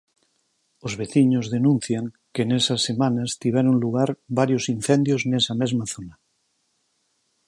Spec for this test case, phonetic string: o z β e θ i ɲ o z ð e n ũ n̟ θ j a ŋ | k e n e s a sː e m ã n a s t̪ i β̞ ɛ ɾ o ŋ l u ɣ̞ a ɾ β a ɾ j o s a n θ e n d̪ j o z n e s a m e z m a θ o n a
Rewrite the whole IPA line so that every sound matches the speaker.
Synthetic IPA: o z β e θ i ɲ o z ð e n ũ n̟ θ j a ŋ | k e n e s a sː e m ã n a s t̪ i β̞ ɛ ɾ o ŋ l u ɣ̞ a ɾ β a ɾ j o s i n θ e n d̪ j o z n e s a m e z m a θ o n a